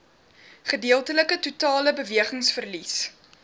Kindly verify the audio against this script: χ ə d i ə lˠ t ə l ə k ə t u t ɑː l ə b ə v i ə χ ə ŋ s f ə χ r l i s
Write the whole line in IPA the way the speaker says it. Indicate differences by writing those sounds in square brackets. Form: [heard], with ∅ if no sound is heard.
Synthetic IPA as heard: χ ə d i ə lˠ t ə l ə k ə t u t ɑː l ə b ə v i ə χ ə ŋ s f ə [∅] r l i s